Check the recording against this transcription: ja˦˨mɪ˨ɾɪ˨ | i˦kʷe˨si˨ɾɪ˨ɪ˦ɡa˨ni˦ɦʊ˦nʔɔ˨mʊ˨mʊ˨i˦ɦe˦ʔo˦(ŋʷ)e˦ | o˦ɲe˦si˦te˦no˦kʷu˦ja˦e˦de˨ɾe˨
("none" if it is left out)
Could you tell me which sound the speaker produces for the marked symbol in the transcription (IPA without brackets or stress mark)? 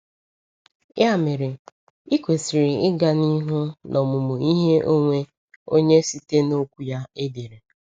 ŋʷ